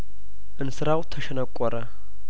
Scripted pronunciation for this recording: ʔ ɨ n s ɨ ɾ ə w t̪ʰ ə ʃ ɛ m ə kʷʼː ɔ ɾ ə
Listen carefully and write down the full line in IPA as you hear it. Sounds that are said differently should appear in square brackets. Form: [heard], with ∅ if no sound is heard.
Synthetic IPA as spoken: ʔ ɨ n s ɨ ɾ [a] w t̪ʰ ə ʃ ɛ [n] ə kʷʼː ɔ ɾ ə